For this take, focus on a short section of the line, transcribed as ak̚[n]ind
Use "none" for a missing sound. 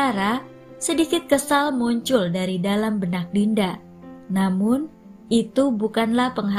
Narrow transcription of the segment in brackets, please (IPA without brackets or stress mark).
d